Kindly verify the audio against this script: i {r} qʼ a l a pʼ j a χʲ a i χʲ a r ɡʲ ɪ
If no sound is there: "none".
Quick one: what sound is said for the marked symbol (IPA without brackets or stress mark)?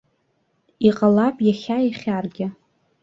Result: none